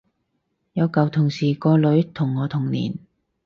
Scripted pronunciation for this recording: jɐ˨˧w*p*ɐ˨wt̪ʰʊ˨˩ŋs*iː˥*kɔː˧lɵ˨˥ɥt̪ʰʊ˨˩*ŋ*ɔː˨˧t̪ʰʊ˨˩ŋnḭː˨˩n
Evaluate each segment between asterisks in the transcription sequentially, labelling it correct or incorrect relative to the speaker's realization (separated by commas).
incorrect, incorrect, incorrect